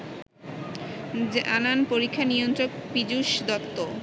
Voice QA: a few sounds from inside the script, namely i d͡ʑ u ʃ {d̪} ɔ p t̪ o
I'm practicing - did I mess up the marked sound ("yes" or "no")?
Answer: no